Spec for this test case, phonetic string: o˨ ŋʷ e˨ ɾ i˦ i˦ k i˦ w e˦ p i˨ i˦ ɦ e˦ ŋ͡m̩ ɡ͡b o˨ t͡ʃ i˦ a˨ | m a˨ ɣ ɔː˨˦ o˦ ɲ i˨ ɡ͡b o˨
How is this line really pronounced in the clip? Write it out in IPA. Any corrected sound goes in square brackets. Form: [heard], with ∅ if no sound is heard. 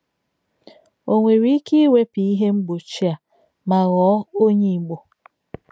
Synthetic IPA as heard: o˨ ŋʷ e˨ ɾ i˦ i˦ k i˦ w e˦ p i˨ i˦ ɦ e˦ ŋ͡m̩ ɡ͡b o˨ t͡ʃ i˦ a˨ | m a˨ ɣ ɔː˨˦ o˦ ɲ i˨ ɡ͡b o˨